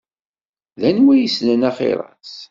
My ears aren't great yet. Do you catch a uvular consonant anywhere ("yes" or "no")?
yes